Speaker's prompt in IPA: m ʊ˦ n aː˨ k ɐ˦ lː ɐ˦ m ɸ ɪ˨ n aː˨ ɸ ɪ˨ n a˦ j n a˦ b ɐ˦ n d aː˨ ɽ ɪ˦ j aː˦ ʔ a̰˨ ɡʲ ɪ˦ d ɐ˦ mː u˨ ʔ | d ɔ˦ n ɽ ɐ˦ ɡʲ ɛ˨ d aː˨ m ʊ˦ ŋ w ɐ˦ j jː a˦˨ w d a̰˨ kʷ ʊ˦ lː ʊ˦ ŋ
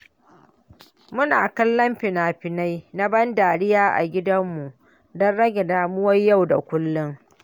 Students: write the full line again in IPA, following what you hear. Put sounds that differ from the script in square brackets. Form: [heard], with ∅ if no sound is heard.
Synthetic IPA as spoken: m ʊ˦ n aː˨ k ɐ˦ lː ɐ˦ m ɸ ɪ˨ n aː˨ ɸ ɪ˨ n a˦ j n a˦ b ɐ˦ n d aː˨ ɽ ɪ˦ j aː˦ ʔ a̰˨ ɡʲ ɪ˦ d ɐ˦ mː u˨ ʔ | d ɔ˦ n ɽ ɐ˦ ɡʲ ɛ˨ d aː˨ m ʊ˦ [∅] w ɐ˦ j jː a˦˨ w d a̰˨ kʷ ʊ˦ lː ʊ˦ ŋ